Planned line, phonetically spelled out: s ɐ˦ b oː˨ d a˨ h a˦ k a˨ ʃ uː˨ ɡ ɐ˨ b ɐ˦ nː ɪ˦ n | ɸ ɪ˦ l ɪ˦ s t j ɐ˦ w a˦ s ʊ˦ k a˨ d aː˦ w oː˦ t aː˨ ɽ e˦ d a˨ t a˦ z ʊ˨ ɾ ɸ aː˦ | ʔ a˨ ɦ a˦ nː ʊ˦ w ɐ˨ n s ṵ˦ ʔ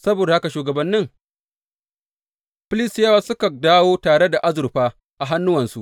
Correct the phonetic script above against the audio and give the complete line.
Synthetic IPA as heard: s ɐ˦ b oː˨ d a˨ h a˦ k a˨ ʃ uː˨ ɡ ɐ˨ b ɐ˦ nː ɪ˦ ŋ | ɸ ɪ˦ l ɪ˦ s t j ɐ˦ w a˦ s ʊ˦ k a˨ d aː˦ w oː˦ t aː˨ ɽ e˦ d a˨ ʔ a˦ z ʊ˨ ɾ ɸ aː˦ | ʔ a˨ ɦ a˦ nː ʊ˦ w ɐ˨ n s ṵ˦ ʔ